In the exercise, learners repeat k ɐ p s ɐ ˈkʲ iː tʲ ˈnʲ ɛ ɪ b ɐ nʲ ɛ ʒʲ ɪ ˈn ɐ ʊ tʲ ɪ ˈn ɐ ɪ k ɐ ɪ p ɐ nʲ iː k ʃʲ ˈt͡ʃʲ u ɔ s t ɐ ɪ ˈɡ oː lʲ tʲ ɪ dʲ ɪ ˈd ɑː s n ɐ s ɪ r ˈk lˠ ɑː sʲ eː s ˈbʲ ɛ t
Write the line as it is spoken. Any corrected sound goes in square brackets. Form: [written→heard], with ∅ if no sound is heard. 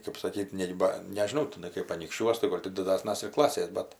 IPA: k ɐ p s ɐ ˈkʲ iː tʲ ˈnʲ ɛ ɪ b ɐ nʲ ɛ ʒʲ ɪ ˈn ɐ ʊ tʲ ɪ ˈn ɐ ɪ k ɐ ɪ p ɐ nʲ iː k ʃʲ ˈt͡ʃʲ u ɔ s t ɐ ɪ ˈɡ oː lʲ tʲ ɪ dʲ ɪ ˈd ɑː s n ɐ s ɪ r ˈk lˠ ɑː sʲ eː s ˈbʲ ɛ t